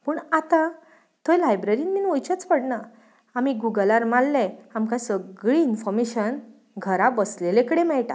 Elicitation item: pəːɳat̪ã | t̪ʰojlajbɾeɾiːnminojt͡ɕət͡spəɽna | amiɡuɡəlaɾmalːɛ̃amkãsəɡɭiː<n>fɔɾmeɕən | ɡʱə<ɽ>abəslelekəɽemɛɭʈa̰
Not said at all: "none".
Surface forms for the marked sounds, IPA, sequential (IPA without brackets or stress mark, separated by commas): n, ɾ